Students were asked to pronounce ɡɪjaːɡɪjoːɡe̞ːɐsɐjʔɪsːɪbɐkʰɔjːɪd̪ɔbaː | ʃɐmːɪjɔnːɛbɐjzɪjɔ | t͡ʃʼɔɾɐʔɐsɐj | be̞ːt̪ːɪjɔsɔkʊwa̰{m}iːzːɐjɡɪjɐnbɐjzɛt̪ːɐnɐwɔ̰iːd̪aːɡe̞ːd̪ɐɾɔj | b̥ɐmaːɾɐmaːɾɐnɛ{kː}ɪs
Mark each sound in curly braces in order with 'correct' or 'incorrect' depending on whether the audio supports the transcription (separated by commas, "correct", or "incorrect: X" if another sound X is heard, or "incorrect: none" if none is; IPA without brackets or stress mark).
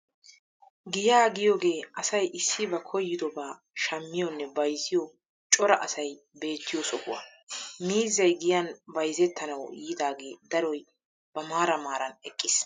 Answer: correct, incorrect: kʼː